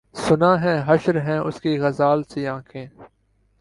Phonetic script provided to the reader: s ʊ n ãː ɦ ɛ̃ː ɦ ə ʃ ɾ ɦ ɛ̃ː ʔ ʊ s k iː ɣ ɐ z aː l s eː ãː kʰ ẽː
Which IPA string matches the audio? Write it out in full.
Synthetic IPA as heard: s ʊ n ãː ɦ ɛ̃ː ɦ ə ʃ ɾ ɦ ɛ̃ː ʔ ʊ s k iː ɣ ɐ z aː l s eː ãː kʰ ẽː

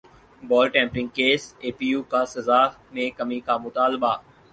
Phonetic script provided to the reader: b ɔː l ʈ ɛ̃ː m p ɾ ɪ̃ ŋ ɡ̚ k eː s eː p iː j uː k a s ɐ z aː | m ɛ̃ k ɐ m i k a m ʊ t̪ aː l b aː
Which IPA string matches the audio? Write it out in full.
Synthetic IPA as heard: b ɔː l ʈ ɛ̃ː m p ɾ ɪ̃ ŋ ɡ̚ k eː s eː p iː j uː k a s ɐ z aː | m ẽ k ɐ m i k a m ʊ t̪ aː l b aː

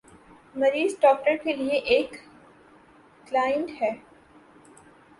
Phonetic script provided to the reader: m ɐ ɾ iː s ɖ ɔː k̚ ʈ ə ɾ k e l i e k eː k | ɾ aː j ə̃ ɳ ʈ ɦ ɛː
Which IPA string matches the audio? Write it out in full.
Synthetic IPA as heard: m ɐ ɾ iː z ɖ ɔː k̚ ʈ ə ɾ k e l i e ʔ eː k | l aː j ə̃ ɳ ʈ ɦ ɛː

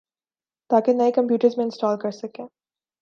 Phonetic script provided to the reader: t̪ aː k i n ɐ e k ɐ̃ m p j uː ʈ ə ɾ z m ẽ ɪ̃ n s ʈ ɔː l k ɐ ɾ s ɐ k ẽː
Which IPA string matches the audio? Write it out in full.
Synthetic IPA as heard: t̪ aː k e n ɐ e k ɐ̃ m p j uː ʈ ə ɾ z m ẽ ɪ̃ n s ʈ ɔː l k ɐ ɾ s ɐ k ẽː

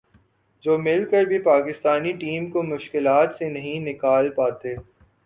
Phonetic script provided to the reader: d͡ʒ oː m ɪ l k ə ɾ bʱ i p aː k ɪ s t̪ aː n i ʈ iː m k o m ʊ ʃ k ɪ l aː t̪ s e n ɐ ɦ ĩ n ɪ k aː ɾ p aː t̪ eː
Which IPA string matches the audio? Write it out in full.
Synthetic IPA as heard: d͡ʒ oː m ɪ l k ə ɾ bʱ i p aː k ɪ s t̪ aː n i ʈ iː m k o m ʊ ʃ k ɪ l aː t̪ s e n ɐ ɦ ĩ n ɪ k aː l p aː t̪ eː

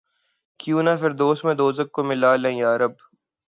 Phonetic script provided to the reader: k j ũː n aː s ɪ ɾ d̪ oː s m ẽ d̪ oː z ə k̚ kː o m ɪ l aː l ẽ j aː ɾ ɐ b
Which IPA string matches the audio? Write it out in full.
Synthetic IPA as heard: k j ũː n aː f ɪ ɾ d̪ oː s m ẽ d̪ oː z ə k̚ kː o m ɪ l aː l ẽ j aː ɾ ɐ b

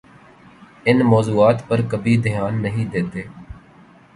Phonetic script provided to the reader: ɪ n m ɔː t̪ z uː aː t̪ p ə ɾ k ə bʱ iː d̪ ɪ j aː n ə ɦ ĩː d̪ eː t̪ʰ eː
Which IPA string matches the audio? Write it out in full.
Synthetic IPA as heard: ɪ n m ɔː z uː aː t̪ p ə ɾ k ə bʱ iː d̪ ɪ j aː nː ə ɦ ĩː d̪ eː t̪ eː

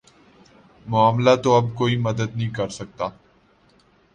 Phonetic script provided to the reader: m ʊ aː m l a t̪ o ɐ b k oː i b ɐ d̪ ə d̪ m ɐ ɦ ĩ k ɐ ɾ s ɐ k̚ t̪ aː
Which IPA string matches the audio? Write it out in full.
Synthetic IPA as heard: m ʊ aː m l a t̪ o ɐ b k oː i m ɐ d̪ ə d̪ n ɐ ɦ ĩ k ɐ ɾ s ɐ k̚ t̪ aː

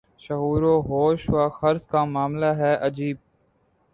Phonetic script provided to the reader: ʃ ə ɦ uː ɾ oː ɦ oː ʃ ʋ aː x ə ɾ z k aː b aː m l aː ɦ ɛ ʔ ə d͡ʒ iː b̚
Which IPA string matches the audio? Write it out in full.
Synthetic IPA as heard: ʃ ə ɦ uː ɾ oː ɦ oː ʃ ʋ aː x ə ɾ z k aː m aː m l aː ɦ ɛː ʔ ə d͡ʒ iː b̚

